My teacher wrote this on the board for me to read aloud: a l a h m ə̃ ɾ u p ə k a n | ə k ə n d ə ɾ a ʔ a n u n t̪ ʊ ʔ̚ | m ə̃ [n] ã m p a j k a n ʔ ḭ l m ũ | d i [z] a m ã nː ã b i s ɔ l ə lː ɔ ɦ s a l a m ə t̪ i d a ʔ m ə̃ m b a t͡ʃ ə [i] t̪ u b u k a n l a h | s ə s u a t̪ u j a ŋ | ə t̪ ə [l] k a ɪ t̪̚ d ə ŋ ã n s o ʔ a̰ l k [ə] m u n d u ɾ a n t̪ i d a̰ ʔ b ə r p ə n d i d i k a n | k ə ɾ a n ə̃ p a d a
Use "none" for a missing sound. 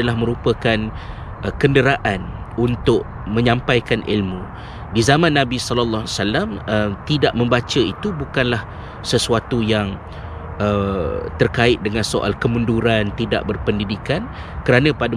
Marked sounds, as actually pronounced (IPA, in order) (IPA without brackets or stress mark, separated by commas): ɲ, z, i, r, ə